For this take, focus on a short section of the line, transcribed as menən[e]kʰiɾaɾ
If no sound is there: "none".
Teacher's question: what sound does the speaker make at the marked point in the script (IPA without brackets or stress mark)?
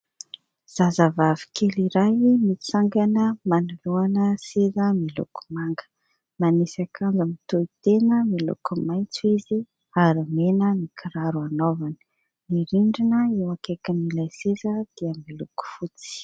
i